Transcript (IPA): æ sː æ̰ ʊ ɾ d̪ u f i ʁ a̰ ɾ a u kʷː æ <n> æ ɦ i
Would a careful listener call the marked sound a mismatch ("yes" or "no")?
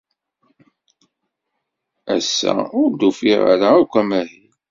yes